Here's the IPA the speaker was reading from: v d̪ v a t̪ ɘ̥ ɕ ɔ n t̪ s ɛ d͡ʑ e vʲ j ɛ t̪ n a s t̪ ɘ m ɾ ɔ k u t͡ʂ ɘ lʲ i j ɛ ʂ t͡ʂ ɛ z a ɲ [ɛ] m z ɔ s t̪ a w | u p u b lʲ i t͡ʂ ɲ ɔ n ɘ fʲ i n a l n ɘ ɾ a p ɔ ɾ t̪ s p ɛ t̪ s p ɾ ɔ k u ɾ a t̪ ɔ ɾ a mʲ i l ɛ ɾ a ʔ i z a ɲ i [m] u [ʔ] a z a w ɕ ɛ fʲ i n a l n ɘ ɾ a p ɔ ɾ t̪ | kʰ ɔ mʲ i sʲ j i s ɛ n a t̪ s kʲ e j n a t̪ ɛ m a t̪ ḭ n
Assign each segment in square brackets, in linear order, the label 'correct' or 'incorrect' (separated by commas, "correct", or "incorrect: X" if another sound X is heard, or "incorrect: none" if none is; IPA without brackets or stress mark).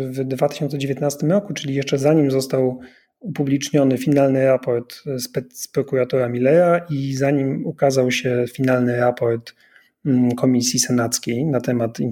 incorrect: i, correct, incorrect: k